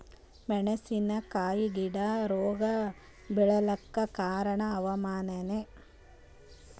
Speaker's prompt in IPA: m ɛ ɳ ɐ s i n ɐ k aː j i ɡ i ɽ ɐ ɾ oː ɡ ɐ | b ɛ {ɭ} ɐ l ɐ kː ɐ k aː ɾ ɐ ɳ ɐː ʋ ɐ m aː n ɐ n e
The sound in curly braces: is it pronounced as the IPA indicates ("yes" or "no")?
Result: yes